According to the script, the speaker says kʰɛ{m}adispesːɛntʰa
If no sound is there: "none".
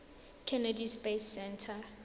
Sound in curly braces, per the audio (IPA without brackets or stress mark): n